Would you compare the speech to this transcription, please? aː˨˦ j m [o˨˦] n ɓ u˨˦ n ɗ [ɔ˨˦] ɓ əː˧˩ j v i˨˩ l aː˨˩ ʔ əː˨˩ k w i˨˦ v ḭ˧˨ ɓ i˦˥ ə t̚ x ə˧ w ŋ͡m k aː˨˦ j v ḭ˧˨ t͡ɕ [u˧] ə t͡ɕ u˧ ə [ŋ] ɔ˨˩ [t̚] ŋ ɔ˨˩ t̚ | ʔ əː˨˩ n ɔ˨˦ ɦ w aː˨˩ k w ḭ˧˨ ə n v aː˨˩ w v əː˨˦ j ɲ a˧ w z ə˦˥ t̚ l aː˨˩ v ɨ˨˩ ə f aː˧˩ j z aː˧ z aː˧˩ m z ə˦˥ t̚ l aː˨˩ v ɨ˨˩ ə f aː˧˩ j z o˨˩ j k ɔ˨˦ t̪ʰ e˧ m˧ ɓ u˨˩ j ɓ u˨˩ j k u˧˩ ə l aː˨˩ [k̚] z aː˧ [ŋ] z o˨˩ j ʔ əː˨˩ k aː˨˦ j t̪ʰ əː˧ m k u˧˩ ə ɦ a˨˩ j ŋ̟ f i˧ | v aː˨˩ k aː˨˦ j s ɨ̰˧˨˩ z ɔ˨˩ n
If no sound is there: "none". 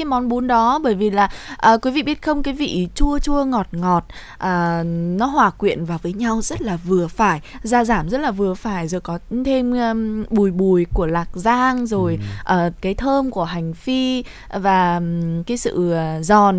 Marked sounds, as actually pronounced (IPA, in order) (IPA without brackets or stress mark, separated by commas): ɔ˨˦, ɔ˨˦, u˧, ŋ, t̚, k̚, ŋ